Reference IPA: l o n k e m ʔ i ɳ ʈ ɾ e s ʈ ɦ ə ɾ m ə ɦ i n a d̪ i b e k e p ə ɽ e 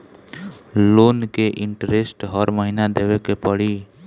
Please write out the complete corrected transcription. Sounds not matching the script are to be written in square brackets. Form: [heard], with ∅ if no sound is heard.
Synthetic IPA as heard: l o n k e [∅] ʔ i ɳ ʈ ɾ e s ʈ ɦ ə ɾ m ə ɦ i n a d̪ [e] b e k e p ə ɽ [i]

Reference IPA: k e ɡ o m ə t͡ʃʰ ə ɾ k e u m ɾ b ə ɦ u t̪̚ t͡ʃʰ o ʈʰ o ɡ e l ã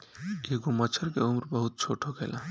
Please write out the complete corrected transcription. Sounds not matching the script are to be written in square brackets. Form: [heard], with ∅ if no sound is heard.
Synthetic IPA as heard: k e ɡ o m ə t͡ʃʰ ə ɾ k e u m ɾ b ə ɦ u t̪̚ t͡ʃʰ o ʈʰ o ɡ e l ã

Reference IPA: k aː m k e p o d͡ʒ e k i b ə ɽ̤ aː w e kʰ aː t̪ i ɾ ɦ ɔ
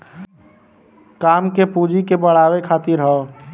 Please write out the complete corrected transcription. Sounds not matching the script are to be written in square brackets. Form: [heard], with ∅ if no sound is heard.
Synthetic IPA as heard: k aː m k e p [u] d͡ʒ [i] k [e] b ə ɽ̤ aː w e kʰ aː t̪ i ɾ ɦ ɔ

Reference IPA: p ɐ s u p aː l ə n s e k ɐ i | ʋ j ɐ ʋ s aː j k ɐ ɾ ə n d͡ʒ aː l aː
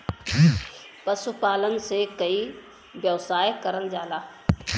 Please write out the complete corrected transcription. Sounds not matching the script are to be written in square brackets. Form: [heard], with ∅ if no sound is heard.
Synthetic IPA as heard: p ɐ s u p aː l ə n s e k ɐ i | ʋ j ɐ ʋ s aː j k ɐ ɾ ə n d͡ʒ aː l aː

